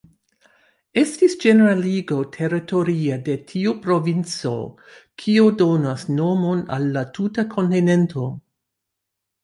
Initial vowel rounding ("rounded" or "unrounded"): unrounded